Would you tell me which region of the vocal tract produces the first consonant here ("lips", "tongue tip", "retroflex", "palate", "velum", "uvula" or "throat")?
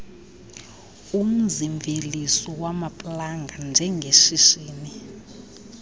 lips